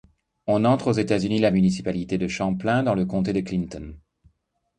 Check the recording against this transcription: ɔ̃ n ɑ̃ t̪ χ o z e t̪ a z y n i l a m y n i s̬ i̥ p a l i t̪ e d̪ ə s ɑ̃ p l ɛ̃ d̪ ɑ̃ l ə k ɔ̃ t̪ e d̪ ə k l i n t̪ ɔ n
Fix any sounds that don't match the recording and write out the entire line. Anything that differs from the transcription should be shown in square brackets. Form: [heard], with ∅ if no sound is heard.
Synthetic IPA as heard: ɔ̃ n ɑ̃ t̪ χ o z e t̪ a z y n i l a m y n i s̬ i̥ p a l i t̪ e d̪ ə [ʃ] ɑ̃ p l ɛ̃ d̪ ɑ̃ l ə k ɔ̃ t̪ e d̪ ə k l i n t̪ ɔ n